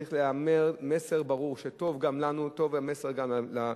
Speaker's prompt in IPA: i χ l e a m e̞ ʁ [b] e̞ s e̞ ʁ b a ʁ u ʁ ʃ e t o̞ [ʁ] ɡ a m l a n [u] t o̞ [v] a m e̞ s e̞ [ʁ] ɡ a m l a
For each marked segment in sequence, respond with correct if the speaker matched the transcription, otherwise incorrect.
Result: incorrect: m, incorrect: v, correct, correct, correct

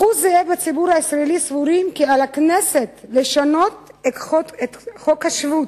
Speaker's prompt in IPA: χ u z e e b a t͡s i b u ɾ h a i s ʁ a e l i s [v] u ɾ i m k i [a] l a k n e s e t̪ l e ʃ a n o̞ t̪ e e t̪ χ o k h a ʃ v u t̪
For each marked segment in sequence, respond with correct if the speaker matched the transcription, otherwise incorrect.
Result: correct, correct

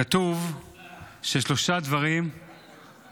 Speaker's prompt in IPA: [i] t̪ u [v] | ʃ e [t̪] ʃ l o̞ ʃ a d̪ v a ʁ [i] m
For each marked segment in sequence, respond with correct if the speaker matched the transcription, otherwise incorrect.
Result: incorrect: a, correct, incorrect: none, correct

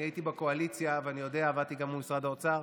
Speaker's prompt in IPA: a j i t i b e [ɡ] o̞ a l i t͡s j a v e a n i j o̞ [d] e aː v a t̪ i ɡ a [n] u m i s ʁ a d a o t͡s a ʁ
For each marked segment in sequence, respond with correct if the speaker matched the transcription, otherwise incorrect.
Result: incorrect: k, correct, incorrect: m

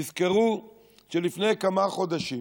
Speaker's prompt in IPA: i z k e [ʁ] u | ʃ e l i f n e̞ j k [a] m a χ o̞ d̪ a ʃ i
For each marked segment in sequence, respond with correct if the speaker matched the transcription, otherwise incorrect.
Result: correct, correct

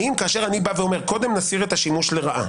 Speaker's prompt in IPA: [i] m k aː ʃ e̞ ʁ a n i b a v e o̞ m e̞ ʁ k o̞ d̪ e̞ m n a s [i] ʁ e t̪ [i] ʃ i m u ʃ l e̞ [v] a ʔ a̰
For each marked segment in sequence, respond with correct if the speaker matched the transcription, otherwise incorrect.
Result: correct, correct, incorrect: a, incorrect: ʁ

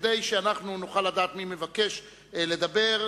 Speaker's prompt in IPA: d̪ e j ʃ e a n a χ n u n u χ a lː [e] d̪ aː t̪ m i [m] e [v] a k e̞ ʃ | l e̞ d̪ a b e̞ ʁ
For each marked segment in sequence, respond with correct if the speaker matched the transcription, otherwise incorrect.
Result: incorrect: a, correct, correct

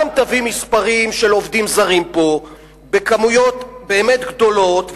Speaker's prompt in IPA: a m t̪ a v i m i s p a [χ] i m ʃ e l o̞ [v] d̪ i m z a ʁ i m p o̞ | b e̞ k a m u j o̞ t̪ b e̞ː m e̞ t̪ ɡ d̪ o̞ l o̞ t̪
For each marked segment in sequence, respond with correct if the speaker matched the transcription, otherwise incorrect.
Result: incorrect: ʁ, correct

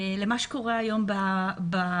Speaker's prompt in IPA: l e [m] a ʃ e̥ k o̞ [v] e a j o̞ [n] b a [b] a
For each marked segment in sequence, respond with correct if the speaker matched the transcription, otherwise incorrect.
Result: correct, incorrect: ʁ, incorrect: m, correct

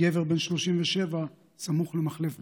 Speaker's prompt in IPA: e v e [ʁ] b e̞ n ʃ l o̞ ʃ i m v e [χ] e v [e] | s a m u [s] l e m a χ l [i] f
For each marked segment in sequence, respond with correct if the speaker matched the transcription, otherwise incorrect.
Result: correct, incorrect: ʃ, incorrect: a, incorrect: χ, incorrect: e

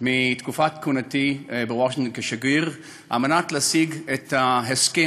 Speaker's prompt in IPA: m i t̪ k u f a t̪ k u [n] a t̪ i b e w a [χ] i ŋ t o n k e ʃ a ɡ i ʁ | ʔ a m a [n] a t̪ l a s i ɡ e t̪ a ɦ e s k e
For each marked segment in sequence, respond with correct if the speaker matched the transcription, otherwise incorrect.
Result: correct, incorrect: ʃ, correct

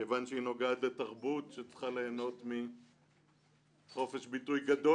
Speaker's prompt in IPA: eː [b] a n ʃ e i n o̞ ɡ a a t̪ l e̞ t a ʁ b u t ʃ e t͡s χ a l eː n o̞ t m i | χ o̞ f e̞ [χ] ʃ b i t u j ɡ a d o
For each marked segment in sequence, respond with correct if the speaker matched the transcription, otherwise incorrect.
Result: incorrect: v, incorrect: none

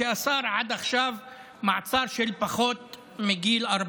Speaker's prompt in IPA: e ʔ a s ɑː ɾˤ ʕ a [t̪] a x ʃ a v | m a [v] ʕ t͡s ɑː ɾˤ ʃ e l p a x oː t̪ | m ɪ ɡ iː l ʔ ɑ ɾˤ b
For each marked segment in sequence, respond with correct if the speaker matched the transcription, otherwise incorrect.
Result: incorrect: d̪, incorrect: none

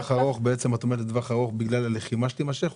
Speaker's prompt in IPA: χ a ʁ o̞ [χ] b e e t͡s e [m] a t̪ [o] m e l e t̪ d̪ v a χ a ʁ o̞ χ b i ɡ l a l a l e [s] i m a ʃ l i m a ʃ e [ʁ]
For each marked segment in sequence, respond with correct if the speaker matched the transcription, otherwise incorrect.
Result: correct, correct, correct, incorrect: χ, incorrect: χ

